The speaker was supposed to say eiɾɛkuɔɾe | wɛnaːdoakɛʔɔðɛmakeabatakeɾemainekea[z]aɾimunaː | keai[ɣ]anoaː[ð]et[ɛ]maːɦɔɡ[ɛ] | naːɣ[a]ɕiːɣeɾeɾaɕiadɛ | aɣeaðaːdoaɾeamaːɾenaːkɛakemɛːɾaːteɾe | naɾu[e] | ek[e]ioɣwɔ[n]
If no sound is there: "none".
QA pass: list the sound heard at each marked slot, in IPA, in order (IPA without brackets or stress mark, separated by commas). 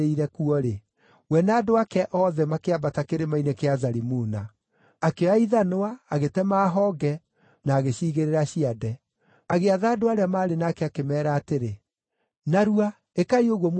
z, ð, ɣ, ɛ, ɛ, e, a, a, m